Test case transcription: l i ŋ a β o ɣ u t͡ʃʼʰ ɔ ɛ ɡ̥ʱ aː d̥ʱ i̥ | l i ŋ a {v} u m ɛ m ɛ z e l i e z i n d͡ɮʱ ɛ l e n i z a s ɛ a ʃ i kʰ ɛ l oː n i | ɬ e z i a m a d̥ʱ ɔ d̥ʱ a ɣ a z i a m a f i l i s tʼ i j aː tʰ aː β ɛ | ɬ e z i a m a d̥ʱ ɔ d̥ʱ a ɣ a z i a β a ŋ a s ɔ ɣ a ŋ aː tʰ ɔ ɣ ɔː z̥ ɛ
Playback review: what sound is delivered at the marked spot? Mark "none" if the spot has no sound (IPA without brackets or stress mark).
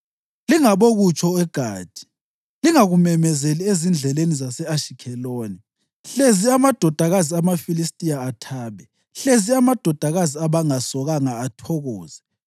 ɣ